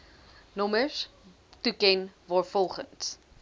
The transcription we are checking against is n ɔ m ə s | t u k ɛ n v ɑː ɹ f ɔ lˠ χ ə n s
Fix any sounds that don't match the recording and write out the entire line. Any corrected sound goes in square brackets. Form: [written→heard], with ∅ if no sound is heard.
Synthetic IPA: n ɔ m ə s | t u k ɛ n v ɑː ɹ f ɔ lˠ χ ə n s